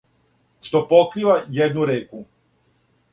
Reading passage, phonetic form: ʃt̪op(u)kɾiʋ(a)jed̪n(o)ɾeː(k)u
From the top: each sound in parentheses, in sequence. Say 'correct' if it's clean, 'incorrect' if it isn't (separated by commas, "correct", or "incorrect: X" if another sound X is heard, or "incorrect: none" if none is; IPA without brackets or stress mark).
incorrect: o, correct, incorrect: u, correct